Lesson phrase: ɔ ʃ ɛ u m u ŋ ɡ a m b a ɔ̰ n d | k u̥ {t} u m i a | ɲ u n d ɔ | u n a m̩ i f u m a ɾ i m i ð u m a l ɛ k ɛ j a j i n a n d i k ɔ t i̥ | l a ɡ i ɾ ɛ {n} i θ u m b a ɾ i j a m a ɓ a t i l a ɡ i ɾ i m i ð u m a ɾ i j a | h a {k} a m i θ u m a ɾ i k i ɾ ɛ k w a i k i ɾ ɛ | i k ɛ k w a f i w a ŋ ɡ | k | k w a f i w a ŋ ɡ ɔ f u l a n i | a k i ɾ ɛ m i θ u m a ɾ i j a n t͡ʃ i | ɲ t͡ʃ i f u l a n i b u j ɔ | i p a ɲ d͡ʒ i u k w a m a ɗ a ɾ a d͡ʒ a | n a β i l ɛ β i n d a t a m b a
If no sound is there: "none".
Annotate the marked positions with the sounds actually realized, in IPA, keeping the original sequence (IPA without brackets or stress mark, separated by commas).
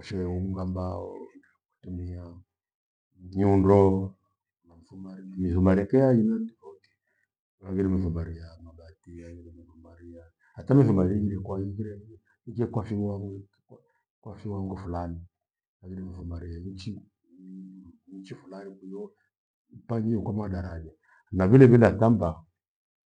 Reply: t, m, t